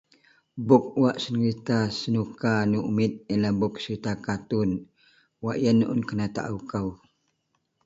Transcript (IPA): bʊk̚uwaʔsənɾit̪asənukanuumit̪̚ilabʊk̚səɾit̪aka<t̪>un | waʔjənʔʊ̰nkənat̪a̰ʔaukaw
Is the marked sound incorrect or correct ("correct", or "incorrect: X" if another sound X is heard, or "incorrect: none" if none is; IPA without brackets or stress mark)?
correct